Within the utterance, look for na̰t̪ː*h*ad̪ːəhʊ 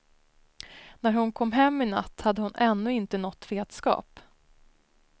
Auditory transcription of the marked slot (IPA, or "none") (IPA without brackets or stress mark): h